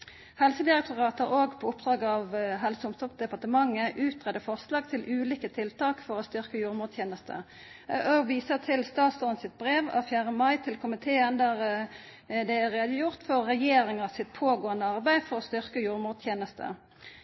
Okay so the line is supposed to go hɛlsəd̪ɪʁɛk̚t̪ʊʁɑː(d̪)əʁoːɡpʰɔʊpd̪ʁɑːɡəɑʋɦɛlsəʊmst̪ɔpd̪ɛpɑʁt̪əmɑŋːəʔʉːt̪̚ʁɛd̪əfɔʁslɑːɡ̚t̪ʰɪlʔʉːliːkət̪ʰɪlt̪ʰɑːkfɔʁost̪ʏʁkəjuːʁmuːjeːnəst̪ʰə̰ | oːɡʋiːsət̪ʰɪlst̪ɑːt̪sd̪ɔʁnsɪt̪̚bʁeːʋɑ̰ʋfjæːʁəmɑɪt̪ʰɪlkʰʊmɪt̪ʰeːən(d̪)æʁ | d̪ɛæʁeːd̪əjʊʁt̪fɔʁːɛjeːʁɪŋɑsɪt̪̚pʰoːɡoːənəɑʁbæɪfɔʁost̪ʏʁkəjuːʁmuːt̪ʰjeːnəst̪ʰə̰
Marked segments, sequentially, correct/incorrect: incorrect, correct

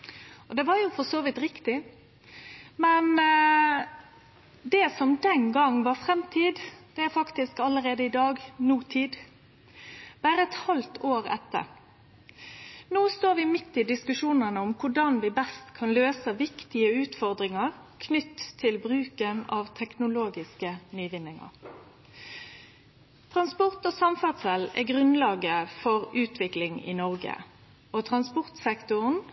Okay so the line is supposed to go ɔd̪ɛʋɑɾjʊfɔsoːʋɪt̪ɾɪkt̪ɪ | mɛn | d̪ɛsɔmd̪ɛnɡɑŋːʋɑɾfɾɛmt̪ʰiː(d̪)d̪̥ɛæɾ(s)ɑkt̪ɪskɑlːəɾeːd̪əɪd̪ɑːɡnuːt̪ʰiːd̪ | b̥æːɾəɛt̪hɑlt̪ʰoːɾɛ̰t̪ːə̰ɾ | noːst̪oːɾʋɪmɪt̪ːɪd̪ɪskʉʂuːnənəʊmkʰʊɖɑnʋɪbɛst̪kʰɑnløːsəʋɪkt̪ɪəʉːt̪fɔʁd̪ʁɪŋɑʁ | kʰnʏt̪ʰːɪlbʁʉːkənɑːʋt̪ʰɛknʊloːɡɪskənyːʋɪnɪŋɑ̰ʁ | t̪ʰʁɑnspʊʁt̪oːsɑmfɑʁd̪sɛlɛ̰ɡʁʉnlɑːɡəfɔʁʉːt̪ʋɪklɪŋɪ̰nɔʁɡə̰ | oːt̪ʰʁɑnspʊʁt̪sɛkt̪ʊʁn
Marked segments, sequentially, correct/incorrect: correct, incorrect

